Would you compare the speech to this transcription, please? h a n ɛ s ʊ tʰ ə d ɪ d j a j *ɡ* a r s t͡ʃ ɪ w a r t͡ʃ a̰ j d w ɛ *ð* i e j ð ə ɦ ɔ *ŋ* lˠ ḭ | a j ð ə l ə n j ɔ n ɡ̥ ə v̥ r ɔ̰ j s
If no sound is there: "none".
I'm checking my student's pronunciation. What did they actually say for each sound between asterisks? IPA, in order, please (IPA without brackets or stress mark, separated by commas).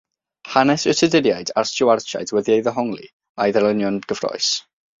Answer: d, ð, ŋ